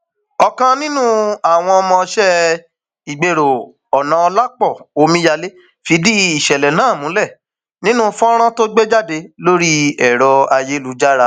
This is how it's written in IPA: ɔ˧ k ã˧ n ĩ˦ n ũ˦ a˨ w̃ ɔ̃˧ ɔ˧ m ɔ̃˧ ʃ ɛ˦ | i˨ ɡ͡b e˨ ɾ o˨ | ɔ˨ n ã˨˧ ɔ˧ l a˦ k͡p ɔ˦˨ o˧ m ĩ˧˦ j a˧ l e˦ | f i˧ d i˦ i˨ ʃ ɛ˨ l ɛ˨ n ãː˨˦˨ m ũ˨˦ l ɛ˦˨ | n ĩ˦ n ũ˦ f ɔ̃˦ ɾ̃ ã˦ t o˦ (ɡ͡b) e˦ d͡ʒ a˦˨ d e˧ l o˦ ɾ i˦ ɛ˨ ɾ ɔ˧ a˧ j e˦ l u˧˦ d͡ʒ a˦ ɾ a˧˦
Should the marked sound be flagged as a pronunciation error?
no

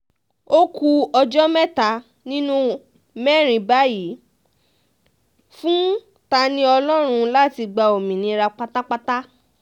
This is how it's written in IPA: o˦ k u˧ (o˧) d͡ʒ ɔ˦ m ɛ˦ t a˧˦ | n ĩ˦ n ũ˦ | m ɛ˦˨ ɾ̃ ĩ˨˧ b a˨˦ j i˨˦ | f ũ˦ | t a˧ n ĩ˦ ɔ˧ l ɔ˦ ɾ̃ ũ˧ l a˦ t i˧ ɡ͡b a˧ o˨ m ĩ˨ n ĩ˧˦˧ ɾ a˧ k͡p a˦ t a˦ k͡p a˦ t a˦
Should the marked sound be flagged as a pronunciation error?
yes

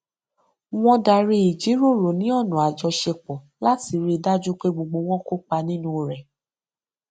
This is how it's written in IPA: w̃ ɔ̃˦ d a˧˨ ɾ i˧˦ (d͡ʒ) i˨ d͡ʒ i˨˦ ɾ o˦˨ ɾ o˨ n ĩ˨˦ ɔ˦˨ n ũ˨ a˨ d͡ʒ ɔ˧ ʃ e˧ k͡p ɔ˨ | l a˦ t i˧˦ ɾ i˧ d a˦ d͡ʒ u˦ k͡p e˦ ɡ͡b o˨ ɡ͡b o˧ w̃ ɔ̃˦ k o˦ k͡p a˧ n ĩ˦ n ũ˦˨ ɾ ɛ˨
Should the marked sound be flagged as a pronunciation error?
yes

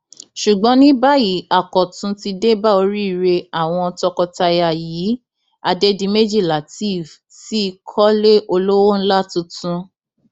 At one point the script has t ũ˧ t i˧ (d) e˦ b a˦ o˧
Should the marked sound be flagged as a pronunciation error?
no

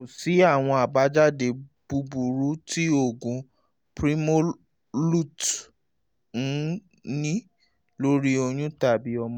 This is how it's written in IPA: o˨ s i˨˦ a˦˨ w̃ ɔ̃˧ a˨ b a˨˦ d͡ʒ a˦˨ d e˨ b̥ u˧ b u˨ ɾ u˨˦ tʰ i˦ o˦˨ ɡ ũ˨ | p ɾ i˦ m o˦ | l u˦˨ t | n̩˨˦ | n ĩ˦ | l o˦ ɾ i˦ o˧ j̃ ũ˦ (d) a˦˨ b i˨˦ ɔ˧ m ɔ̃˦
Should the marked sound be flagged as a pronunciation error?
yes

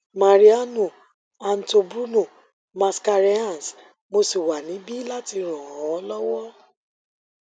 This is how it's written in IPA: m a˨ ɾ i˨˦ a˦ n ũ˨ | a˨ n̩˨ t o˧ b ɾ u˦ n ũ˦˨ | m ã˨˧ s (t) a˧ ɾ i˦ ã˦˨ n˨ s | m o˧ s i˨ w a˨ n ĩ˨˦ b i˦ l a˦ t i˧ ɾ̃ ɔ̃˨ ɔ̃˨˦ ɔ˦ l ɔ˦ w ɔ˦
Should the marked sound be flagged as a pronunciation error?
yes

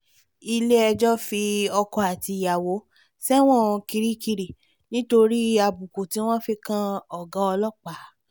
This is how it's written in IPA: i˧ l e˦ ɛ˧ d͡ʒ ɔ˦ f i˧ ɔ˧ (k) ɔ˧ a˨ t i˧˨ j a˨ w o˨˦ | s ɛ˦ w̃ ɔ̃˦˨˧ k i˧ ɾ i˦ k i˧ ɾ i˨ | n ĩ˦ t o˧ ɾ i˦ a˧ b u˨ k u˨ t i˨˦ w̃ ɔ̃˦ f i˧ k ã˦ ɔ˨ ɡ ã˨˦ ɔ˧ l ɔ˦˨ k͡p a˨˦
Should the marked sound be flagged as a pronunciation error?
no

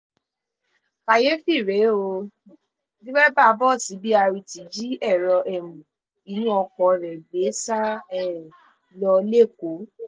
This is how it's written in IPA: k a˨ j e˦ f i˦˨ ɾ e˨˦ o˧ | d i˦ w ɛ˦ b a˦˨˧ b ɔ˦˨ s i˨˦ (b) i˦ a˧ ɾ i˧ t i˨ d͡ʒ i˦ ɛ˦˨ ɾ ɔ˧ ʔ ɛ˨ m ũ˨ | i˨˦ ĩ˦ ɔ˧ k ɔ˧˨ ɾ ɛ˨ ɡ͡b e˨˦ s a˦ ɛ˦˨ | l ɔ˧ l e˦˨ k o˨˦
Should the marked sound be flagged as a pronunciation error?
no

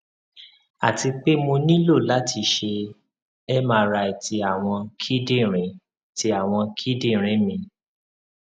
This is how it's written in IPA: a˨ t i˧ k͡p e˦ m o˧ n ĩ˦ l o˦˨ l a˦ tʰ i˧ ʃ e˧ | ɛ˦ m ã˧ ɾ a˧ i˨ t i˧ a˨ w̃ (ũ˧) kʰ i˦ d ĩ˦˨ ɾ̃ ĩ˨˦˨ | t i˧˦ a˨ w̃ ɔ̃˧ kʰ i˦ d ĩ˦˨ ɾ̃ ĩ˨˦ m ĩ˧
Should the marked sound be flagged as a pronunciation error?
yes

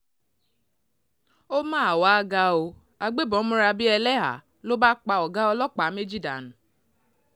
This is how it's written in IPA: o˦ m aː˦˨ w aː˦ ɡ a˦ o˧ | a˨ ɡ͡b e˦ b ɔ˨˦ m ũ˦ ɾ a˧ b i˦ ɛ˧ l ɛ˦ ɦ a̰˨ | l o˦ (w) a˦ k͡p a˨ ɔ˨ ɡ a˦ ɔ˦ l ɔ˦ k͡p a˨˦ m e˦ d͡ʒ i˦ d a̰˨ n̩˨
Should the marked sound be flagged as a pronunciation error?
yes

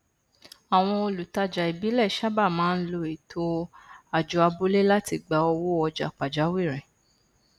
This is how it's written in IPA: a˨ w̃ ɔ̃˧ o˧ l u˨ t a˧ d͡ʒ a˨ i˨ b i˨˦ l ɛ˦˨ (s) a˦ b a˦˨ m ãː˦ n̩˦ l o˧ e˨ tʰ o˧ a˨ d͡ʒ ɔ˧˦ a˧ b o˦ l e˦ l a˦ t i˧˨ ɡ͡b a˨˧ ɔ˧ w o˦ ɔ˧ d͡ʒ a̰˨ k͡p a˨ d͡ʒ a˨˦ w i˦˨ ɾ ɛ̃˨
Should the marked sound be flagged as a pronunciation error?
yes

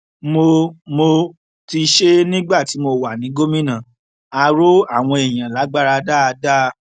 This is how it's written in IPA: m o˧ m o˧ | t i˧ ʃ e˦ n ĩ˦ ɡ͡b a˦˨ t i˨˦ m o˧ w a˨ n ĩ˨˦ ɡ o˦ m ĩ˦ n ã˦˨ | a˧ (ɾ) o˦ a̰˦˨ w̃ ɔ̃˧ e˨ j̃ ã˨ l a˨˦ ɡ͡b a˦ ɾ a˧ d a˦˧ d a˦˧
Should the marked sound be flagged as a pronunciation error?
no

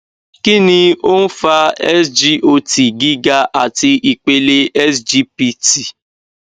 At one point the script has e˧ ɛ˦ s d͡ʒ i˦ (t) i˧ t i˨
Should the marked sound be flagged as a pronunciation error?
yes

